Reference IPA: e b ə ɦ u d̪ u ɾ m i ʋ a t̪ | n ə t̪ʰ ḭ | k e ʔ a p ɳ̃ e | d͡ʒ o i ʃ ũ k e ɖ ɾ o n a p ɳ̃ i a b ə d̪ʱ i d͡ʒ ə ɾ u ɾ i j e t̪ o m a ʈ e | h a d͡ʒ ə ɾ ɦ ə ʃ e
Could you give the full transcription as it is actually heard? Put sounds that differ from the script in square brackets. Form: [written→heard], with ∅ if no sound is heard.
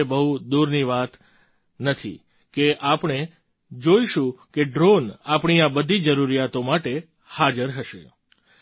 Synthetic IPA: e b ə ɦ u d̪ u ɾ [m→n] i ʋ a t̪ | n ə t̪ʰ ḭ | k e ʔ a p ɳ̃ e | d͡ʒ o i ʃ ũ k e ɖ ɾ o n a p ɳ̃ i a b ə d̪ʱ i d͡ʒ ə ɾ u ɾ i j [e→a] t̪ o m a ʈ e | h a d͡ʒ ə ɾ ɦ ə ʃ e